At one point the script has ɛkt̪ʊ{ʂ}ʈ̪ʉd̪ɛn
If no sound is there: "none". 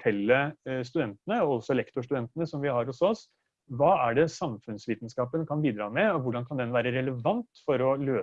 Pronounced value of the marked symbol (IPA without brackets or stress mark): ʂ